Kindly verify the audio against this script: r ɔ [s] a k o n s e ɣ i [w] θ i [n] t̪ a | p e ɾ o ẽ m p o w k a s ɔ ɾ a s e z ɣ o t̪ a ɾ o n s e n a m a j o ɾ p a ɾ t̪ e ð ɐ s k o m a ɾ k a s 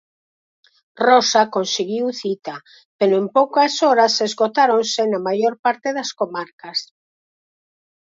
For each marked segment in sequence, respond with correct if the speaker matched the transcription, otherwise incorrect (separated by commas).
correct, correct, incorrect